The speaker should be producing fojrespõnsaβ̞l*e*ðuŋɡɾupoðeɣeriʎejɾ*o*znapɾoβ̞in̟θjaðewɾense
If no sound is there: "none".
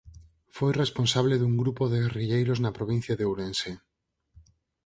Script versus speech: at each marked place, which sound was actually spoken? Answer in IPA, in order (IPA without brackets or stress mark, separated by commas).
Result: e, o